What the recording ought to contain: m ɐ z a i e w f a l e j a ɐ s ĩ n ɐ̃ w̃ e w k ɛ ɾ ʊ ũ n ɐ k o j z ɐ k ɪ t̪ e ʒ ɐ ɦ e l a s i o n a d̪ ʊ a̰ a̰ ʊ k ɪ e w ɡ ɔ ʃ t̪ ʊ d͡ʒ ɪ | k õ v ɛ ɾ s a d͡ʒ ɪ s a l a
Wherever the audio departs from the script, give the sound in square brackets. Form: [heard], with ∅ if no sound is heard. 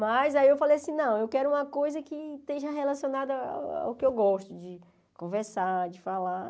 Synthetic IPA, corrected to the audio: m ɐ z a i e w f a l e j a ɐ s ĩ n ɐ̃ w̃ e w k ɛ ɾ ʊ ũ [m] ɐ k o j z ɐ k ɪ t̪ e ʒ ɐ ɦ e l a s i o n a d̪ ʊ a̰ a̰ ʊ k ɪ e w ɡ ɔ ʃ t̪ ʊ d͡ʒ ɪ | k õ v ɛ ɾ s a d͡ʒ ɪ [f] a l a